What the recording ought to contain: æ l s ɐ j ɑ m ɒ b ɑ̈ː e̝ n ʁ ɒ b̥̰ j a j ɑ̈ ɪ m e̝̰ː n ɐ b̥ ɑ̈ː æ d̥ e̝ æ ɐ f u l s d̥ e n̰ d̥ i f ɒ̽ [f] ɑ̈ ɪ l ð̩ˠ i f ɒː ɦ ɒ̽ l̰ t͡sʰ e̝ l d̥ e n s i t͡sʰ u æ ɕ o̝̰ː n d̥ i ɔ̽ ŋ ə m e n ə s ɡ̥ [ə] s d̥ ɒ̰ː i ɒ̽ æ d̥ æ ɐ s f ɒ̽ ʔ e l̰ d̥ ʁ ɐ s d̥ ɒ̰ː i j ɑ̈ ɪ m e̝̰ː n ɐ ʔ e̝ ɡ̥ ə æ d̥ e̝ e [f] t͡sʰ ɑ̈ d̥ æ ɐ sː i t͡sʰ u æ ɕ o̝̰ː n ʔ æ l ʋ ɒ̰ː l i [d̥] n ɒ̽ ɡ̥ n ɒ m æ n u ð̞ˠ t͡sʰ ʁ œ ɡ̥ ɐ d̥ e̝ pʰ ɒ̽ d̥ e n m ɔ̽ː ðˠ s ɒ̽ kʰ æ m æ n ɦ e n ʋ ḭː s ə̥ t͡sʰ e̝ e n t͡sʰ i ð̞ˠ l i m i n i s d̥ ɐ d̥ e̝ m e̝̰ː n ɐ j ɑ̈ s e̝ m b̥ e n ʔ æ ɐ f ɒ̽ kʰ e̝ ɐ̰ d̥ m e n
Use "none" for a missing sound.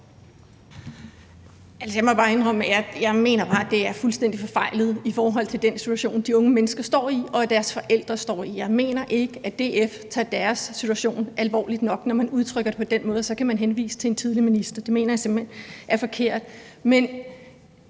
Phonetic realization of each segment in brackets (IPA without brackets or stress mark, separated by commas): f, ɐ, f, d̥